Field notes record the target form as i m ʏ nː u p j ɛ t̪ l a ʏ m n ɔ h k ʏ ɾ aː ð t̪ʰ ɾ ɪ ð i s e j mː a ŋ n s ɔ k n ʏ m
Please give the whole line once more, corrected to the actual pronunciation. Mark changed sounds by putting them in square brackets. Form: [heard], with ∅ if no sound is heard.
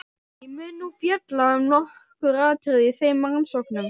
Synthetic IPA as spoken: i m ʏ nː u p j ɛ t̪ l a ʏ m n ɔ h k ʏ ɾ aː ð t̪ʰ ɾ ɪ ð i [θ] e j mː a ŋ n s ɔ k n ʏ m